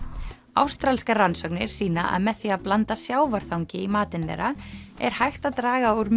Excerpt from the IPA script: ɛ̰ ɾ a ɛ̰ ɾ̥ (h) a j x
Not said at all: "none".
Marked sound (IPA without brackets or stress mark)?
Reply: h